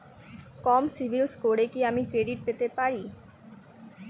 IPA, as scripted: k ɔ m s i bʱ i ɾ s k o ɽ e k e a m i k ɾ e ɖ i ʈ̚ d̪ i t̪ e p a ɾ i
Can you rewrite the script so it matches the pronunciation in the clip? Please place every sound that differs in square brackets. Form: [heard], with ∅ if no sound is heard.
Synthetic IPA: k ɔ m s i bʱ i [l] s k o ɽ e k [i] a m i k ɾ e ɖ i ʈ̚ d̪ [e] t̪ e p a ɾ i